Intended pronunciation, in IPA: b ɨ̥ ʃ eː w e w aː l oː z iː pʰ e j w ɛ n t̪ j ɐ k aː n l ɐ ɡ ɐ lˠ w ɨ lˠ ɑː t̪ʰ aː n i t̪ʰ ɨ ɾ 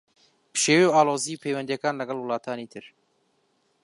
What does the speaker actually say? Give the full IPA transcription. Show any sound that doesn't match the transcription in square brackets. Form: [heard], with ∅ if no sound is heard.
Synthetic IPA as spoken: b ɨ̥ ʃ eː w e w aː l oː z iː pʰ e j w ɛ n [d̪] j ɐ k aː n l ɐ ɡ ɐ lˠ w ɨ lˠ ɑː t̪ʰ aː n i t̪ʰ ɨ ɾ